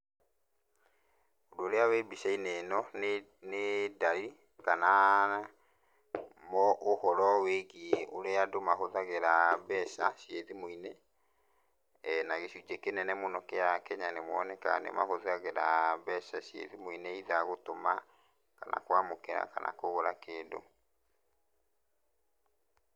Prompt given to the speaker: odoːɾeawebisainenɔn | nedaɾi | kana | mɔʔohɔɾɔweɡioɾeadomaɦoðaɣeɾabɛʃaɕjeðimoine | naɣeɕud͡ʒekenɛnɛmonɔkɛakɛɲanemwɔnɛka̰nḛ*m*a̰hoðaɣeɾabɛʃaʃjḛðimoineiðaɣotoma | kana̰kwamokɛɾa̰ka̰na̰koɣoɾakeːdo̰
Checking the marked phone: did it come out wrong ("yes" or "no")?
no